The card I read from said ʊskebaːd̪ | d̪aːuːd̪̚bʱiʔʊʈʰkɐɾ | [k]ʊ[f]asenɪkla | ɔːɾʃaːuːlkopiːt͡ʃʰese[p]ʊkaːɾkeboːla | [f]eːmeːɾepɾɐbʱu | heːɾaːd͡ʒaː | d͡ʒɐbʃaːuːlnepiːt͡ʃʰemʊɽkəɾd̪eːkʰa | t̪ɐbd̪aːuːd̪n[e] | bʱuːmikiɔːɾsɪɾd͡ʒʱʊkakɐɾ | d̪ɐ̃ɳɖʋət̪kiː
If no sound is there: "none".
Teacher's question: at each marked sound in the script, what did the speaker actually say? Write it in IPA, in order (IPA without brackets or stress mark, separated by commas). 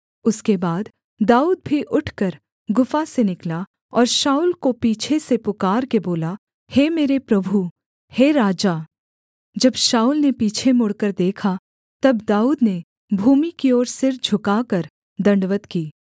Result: ɡ, f, p, h, e